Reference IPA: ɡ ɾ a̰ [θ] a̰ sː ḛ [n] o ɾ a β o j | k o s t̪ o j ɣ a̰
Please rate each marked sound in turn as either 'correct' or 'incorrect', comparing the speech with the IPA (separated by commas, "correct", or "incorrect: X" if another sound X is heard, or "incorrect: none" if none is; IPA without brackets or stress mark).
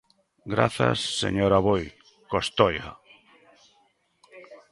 correct, incorrect: ɲ